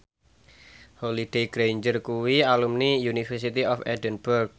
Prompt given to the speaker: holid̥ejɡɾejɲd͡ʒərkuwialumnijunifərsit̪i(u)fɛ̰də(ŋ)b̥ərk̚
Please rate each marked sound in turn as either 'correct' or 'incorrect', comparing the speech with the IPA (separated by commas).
incorrect, incorrect